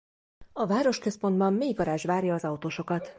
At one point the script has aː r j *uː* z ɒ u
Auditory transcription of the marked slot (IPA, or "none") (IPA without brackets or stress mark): ɒː